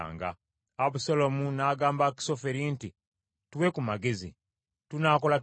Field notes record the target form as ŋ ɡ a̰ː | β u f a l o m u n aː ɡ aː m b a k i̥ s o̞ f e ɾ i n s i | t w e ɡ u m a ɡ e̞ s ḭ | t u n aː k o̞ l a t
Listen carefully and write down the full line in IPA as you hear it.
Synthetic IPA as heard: ŋ ɡ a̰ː | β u s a l o m u n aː ɡ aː m b a k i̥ s o̞ f e ɾ i n t i | t w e k u m a ɡ e̞ z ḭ | t u n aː k o̞ l a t